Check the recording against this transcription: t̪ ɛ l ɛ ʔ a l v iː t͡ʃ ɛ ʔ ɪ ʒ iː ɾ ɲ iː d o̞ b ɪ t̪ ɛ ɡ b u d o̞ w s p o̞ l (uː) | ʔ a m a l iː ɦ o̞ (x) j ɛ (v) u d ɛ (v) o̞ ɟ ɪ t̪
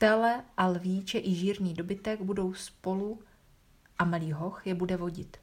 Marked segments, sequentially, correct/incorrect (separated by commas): incorrect, correct, incorrect, correct